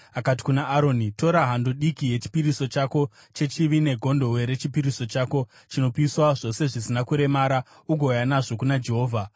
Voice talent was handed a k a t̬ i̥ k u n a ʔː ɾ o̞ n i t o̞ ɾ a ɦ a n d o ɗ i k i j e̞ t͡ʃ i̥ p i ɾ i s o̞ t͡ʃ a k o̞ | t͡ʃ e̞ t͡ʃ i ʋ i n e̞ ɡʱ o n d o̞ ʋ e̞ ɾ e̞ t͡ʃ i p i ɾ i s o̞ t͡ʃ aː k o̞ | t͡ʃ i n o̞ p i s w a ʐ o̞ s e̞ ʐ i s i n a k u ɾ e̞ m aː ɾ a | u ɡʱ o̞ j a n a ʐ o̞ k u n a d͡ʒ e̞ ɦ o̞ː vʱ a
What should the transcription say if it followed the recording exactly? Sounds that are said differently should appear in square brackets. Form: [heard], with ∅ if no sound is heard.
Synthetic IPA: a k a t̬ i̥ k u n a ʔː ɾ o̞ n i t o̞ ɾ a ɦ a n d o ɗ i k i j e̞ t͡ʃ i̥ p i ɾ i s o̞ t͡ʃ a k o̞ | t͡ʃ e̞ t͡ʃ i ʋ i n e̞ ɡʱ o n d o̞ [w] e̞ ɾ e̞ t͡ʃ i p i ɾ i s o̞ t͡ʃ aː k o̞ | t͡ʃ i n o̞ p i s w a ʐ o̞ s e̞ ʐ i s i n a k u ɾ e̞ m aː ɾ a | u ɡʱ o̞ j a n a ʐ o̞ k u n a d͡ʒ e̞ ɦ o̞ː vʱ a